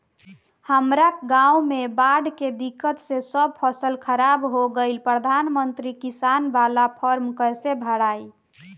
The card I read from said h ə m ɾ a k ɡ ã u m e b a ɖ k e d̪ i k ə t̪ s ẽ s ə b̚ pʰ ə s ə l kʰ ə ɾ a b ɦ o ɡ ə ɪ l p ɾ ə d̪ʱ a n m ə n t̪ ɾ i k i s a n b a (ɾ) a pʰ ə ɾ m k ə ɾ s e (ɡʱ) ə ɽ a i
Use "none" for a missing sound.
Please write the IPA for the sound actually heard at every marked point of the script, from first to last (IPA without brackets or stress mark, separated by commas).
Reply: l, bʱ